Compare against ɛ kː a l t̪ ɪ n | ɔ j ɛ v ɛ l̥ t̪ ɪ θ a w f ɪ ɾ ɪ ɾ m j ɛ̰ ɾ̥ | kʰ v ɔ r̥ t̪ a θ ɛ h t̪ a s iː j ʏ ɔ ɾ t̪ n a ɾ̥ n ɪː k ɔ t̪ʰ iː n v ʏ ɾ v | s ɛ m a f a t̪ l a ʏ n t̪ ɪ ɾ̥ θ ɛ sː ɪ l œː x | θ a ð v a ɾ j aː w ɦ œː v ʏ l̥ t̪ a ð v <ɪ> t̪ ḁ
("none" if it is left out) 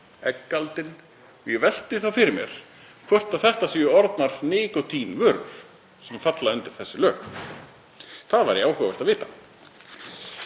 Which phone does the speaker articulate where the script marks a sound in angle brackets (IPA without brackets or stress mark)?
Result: ɪː